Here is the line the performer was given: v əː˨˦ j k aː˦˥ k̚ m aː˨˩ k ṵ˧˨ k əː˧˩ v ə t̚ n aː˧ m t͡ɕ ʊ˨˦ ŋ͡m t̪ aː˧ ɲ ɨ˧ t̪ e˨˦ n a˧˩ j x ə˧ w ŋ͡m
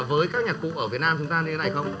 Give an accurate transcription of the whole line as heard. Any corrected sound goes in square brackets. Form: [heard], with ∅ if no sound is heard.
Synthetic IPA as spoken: v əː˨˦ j k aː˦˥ k̚ [ɲ] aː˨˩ k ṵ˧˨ [ʔ] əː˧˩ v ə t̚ n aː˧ m t͡ɕ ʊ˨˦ ŋ͡m t̪ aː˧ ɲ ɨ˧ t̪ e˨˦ n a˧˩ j x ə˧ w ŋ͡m